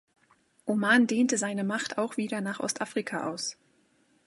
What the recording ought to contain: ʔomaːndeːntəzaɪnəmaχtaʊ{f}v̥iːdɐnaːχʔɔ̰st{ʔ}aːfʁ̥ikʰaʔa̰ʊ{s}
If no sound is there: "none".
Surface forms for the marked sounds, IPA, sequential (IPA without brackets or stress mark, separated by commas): x, ʔ, s